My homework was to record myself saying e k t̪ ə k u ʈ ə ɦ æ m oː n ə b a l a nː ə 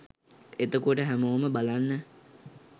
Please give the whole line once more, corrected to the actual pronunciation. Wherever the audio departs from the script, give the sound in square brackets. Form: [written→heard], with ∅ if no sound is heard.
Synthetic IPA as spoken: e [k→∅] t̪ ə k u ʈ ə ɦ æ m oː [n→m] ə b a l a nː ə